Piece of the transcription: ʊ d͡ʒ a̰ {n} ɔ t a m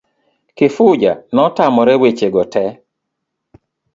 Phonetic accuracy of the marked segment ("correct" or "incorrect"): correct